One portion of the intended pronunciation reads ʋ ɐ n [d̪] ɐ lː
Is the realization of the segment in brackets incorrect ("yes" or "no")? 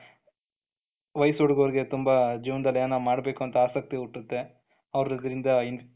no